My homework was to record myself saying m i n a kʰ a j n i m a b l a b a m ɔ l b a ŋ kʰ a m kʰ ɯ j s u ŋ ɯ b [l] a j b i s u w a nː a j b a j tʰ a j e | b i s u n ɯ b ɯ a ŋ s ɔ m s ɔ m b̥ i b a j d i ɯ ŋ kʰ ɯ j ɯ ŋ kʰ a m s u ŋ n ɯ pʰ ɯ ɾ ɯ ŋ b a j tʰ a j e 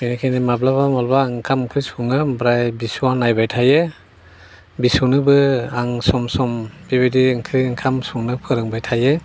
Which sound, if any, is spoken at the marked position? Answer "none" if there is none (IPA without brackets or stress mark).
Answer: ɾ